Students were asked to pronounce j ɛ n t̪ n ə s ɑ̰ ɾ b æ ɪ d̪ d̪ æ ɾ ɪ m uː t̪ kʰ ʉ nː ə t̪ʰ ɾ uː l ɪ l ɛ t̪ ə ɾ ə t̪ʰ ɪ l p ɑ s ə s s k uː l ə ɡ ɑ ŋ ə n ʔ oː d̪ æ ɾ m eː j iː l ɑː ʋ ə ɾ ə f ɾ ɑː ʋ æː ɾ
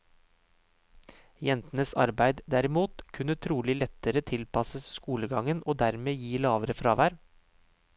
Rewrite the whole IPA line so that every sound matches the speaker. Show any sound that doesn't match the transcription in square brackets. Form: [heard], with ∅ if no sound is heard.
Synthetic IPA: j ɛ n t̪ n ə s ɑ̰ ɾ b æ ɪ d̪ d̪ æ ɾ ɪ m uː t̪ kʰ ʉ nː ə t̪ʰ ɾ uː l ɪ l ɛ t̪ ə ɾ ə t̪ʰ ɪ l p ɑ s ə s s k uː l ə ɡ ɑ ŋ ə n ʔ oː d̪ æ ɾ m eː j iː l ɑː ʋ ə ɾ ə f ɾ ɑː ʋ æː ɾ